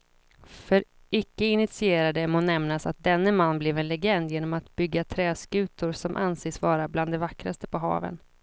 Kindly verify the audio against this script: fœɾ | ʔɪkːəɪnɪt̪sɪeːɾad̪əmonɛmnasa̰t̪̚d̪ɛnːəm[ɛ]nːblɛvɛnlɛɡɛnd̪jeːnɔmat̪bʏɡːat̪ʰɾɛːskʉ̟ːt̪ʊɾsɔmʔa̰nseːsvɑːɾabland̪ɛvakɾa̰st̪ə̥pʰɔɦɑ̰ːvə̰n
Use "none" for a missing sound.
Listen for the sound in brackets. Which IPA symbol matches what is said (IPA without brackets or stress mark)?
a